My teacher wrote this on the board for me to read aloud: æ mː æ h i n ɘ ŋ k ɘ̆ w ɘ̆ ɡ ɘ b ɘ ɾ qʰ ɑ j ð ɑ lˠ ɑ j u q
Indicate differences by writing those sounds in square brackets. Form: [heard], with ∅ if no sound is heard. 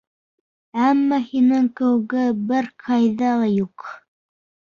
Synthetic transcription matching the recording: æ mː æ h i n ɘ ŋ k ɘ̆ w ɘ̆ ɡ ɘ b ɘ ɾ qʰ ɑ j ð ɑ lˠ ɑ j u q